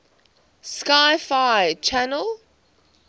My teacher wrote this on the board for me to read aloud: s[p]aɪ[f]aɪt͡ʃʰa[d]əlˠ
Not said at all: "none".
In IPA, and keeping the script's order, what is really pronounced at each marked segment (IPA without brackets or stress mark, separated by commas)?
k, f, n